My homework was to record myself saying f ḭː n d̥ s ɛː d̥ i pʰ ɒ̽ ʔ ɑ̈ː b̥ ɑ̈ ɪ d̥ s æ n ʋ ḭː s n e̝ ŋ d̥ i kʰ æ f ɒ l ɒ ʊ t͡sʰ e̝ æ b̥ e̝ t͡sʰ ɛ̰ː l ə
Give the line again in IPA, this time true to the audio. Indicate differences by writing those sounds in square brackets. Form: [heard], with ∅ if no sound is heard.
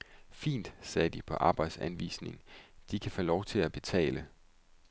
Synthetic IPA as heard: f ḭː n d̥ s ɛː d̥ i pʰ ɒ̽ ʔ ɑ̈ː b̥ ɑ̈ ɪ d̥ s æ n ʋ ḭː s n e̝ ŋ d̥ i kʰ æ f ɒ l ɒ ʊ t͡sʰ e̝ æ b̥ e̝ t͡sʰ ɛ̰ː l ə